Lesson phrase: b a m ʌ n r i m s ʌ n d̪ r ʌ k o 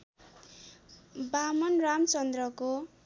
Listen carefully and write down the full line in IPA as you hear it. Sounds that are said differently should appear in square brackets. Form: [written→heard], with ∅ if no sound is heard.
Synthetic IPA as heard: b a m ʌ n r [i→a] m [s→t͡s] ʌ n d̪ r ʌ k o